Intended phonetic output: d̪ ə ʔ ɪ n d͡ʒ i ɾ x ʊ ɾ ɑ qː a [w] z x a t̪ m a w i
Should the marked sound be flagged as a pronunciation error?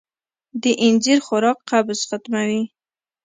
yes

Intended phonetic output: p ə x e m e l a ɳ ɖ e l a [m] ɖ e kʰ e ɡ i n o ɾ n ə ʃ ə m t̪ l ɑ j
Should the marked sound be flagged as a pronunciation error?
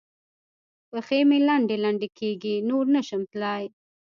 yes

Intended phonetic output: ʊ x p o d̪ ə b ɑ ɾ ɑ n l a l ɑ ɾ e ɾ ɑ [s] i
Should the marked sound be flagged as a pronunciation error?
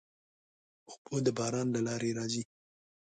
yes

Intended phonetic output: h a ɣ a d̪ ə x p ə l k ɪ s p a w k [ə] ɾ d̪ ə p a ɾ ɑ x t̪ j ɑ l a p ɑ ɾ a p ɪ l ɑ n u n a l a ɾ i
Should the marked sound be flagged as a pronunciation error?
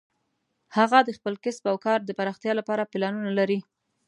yes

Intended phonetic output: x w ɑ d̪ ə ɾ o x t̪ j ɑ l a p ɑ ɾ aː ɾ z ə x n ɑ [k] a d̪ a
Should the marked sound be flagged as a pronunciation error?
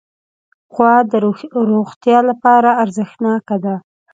no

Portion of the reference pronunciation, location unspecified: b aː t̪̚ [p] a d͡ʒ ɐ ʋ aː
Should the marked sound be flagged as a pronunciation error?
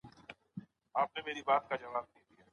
yes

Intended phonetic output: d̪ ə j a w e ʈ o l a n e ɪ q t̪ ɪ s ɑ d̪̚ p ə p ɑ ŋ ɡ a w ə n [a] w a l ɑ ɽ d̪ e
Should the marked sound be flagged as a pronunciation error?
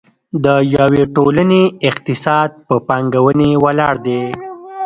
yes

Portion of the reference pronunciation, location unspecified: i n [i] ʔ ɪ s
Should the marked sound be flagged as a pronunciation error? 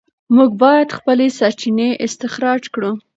yes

